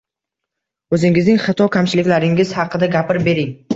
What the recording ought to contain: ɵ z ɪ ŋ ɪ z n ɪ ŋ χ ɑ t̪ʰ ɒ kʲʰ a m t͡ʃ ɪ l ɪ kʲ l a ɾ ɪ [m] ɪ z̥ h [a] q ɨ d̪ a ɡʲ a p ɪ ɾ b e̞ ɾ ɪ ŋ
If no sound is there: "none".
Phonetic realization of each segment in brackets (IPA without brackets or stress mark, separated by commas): ŋ, ɑ